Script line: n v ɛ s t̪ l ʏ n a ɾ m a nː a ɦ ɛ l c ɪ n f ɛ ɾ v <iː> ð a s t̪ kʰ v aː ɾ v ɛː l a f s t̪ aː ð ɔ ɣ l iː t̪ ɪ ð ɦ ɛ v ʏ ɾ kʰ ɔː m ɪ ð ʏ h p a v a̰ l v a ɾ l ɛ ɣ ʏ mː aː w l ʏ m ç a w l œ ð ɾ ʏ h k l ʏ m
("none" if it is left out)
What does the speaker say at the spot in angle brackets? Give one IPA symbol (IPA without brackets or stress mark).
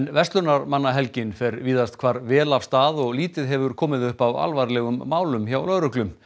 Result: iː